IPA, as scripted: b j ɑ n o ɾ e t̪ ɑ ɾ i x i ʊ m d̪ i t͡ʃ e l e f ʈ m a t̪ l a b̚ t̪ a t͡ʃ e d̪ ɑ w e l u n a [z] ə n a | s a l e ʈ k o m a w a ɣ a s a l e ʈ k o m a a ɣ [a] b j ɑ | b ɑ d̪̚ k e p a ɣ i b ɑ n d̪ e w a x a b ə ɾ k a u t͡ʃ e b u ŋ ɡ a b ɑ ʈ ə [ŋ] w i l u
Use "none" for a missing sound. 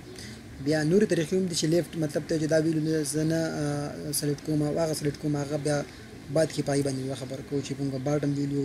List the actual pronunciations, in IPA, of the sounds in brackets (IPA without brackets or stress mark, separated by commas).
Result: z, a, m